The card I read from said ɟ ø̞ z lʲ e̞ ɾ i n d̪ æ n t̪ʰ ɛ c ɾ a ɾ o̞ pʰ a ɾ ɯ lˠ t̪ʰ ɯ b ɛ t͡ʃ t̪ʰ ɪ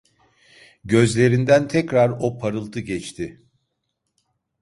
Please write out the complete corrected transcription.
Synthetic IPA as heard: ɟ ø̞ z lʲ e̞ ɾ i n d̪ æ n t̪ʰ ɛ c ɾ a ɾ o̞ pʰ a ɾ ɯ lˠ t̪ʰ ɯ ɟ ɛ t͡ʃ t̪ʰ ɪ